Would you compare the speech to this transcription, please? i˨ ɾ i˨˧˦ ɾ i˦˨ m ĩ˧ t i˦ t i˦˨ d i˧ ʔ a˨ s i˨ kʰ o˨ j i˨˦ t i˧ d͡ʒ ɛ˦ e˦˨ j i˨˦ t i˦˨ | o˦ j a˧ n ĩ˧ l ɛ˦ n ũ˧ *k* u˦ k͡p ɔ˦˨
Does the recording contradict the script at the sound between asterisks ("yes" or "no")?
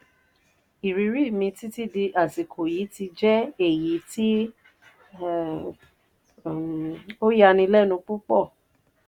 yes